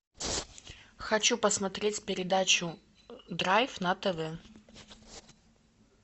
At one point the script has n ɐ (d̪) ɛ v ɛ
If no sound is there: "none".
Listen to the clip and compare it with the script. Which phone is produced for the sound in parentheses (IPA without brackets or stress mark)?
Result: t̪